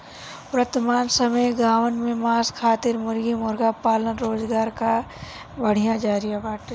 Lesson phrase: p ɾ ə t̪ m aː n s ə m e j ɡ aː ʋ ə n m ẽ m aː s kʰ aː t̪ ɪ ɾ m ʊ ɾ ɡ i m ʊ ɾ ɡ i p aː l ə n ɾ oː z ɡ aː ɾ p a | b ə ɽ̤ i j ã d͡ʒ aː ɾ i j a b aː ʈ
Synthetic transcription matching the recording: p ɾ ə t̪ m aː n s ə m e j ɡ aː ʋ ə n m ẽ m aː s kʰ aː t̪ ɪ ɾ m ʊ ɾ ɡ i m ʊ ɾ ɡ a p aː l ə n ɾ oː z ɡ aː ɾ k a | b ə ɽ̤ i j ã d͡ʒ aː ɾ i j a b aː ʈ